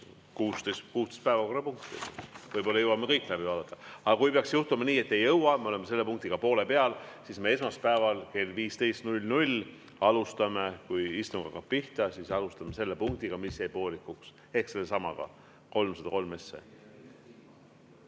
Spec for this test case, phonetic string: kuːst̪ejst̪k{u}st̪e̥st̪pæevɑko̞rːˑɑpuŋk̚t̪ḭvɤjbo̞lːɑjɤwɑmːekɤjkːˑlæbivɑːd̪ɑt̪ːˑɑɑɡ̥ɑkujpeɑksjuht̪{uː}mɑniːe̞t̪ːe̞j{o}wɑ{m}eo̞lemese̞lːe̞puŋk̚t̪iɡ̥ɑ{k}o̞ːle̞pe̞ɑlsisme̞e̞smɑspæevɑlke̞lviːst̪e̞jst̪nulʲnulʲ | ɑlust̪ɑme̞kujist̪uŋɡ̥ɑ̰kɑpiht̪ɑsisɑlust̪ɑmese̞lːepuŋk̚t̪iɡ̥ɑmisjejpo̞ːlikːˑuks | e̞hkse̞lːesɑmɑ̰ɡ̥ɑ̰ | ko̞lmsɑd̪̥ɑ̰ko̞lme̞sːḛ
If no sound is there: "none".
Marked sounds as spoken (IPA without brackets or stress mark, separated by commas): uː, u, ɤ, m, p